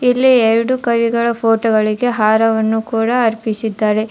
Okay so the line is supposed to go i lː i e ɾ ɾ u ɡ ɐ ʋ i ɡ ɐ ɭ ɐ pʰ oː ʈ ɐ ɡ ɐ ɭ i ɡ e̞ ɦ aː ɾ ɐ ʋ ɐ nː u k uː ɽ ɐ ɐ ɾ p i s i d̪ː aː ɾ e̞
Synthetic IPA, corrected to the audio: i lː i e ɾ ɽ u k ɐ ʋ i ɡ ɐ ɭ ɐ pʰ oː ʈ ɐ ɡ ɐ ɭ i ɡ e̞ ɦ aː ɾ ɐ ʋ ɐ nː u k uː ɽ ɐ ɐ ɾ p i s i d̪ː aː ɾ e̞